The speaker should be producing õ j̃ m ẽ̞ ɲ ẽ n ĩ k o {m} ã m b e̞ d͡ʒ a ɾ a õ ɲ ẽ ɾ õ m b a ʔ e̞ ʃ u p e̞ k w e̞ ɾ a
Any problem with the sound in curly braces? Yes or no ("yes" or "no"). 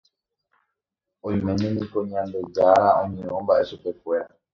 yes